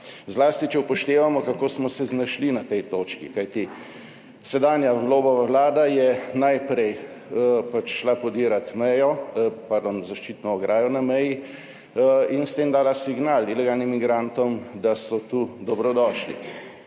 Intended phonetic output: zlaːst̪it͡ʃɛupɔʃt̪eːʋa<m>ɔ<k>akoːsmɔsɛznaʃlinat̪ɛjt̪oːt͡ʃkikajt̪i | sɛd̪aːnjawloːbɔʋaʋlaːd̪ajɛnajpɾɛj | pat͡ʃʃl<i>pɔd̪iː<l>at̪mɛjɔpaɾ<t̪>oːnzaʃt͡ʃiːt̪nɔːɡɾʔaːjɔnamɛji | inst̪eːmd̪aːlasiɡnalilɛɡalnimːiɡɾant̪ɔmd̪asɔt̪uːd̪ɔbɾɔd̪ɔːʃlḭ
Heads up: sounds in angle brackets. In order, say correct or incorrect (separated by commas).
correct, correct, incorrect, incorrect, incorrect